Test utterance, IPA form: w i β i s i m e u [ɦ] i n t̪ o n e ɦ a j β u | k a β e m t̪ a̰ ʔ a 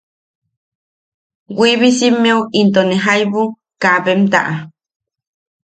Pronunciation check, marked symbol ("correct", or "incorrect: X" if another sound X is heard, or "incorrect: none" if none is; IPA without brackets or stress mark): incorrect: none